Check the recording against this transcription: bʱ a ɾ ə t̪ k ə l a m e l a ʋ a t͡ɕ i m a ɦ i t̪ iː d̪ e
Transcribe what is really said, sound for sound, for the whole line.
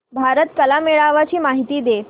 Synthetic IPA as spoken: bʱ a ɾ ə t̪ k ə l a m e ɭ a ʋ a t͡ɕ iː m a ɦ i t̪ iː d̪ e